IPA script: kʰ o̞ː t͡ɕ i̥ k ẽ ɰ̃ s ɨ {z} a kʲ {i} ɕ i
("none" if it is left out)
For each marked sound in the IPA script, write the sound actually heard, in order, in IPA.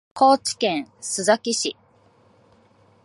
z, i

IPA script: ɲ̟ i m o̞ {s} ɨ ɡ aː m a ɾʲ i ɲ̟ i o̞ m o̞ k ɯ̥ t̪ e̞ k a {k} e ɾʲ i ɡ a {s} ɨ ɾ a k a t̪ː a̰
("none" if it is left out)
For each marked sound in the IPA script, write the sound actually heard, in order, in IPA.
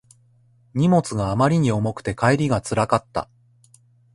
t͡s, none, t͡s

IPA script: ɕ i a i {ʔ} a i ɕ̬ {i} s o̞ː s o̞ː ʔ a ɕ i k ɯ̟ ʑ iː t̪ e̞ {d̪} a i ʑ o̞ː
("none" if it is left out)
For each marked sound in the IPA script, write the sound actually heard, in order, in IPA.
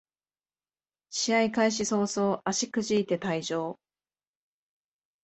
k, i, t̪

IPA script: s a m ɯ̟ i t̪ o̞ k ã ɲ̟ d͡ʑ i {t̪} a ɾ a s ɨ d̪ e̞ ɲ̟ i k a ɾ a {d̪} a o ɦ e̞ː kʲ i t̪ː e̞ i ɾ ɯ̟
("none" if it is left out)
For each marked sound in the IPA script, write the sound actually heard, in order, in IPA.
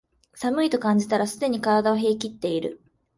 t̪, d̪

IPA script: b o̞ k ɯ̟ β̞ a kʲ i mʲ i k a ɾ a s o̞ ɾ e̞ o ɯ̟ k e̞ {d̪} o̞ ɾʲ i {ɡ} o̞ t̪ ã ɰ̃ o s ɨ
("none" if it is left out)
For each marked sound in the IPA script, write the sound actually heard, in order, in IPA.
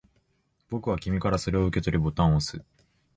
t̪, b

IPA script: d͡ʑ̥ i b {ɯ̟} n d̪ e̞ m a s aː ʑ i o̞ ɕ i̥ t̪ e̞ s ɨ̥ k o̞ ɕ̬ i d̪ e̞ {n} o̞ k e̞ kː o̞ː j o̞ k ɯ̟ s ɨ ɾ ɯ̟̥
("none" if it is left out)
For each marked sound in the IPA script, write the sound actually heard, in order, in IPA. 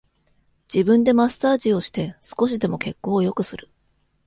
ɯ̟̃, m

